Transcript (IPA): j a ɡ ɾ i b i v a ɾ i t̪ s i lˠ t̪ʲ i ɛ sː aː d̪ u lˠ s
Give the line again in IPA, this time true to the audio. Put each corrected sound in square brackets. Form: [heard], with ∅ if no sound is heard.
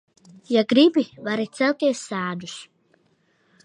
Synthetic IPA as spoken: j a ɡ ɾ i b i v a ɾ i t̪ s [ɛ] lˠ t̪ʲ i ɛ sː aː d̪ u [∅] s